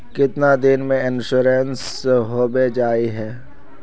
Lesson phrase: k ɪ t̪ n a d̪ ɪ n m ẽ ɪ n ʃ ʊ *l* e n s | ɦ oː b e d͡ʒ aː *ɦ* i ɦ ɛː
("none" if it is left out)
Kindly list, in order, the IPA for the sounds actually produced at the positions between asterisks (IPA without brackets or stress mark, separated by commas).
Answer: ɾ, none